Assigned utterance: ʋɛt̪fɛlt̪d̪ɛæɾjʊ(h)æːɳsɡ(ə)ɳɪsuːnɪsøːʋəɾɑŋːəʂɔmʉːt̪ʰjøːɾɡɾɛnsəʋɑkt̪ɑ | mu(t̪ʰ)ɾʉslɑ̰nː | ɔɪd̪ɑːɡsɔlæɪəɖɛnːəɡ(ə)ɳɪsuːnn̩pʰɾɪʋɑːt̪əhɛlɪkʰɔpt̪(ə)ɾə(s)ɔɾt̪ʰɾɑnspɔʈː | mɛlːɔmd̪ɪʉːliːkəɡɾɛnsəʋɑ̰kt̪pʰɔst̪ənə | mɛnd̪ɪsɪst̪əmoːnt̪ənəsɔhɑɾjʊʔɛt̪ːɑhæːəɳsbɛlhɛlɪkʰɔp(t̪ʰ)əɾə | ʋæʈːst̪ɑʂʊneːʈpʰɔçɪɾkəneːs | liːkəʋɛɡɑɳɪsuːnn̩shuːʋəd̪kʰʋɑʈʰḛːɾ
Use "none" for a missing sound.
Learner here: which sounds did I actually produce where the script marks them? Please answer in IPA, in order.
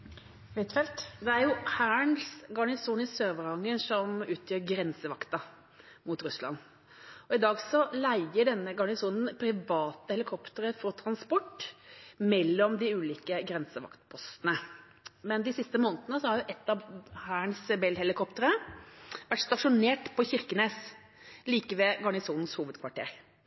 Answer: h, ɑ, t̪, ɑ, ə, f, t̪

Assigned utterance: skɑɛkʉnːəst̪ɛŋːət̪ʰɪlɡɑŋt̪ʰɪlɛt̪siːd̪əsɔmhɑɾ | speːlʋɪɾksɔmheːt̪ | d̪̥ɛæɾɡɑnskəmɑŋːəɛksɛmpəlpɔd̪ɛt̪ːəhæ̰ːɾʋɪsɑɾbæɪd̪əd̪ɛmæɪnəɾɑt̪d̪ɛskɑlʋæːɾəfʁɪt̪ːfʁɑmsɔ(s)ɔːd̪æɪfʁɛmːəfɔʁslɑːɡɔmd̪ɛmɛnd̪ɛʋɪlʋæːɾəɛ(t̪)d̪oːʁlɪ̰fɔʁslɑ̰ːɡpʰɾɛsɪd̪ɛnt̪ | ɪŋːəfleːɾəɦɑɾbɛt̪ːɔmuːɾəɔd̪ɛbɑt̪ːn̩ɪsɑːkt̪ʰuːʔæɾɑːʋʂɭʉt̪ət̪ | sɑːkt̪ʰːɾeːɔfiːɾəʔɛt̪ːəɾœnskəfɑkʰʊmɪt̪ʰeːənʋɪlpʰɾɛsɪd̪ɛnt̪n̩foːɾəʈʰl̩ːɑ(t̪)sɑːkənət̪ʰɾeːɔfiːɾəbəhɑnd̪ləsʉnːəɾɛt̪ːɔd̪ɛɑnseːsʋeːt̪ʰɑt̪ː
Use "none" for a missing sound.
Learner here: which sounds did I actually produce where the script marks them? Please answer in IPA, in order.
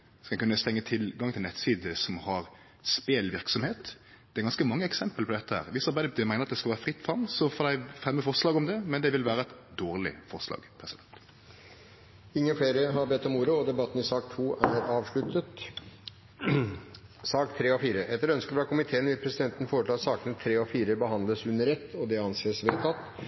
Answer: f, t̪, t̪

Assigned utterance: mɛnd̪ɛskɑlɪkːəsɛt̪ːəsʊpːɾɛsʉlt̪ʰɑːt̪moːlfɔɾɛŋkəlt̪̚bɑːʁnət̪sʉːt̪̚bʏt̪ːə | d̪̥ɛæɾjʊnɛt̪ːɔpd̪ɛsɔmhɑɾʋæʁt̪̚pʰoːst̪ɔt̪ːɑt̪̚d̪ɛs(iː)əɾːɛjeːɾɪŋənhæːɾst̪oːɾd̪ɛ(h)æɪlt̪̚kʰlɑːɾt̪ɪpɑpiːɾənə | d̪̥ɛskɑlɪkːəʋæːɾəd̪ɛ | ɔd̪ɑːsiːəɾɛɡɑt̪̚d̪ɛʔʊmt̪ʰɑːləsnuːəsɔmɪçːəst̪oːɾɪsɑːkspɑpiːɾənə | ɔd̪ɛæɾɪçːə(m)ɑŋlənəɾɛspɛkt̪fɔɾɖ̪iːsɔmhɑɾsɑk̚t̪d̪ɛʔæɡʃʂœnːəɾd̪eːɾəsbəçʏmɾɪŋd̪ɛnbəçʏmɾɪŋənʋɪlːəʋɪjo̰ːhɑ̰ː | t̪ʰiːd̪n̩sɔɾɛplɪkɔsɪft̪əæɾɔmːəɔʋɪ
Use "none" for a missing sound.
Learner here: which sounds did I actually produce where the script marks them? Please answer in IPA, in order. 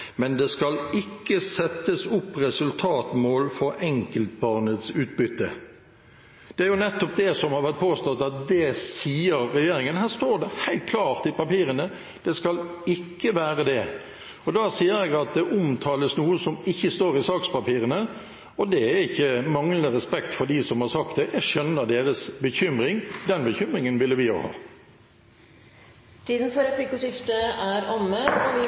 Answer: iː, h, m

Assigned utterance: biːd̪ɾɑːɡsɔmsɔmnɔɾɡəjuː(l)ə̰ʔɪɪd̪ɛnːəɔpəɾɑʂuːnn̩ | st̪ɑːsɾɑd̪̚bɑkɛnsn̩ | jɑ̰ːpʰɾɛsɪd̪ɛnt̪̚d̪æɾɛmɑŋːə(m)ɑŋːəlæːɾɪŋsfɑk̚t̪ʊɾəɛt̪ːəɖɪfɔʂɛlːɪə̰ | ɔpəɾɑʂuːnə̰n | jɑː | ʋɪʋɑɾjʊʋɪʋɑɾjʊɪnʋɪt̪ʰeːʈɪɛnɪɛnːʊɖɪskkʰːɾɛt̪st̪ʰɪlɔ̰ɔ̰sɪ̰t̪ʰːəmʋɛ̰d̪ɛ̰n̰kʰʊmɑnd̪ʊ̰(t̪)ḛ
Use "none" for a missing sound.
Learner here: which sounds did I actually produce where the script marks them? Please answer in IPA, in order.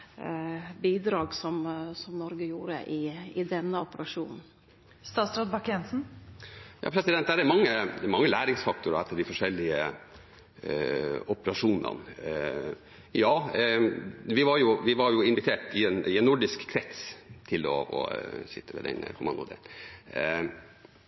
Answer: ɾ, m, d̪

